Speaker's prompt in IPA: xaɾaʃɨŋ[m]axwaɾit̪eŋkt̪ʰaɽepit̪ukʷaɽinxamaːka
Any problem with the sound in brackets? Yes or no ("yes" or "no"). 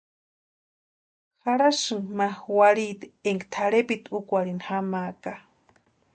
no